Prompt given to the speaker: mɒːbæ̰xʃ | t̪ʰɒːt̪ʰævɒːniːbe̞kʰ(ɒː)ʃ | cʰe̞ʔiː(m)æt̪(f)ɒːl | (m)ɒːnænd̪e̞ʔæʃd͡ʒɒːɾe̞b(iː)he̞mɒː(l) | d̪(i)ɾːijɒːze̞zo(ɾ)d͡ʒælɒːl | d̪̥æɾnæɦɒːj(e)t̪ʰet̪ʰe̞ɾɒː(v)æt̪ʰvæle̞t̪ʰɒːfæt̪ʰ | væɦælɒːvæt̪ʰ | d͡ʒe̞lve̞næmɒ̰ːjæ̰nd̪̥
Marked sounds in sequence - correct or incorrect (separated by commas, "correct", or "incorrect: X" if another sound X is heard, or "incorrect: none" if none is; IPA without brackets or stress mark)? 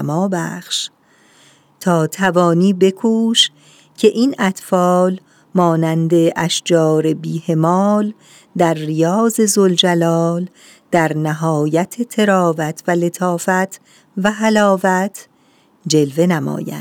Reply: incorrect: uː, incorrect: n, correct, correct, correct, correct, incorrect: æ, incorrect: l, incorrect: æ, correct